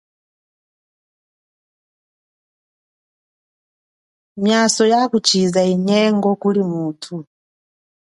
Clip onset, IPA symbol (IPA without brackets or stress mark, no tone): m